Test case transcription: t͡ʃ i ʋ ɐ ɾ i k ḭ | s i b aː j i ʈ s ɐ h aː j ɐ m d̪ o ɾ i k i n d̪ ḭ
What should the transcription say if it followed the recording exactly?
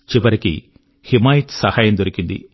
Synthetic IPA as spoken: t͡ʃ i ʋ ɐ ɾ i k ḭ | h i m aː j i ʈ s ɐ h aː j ɐ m d̪ o ɾ i k i n d̪ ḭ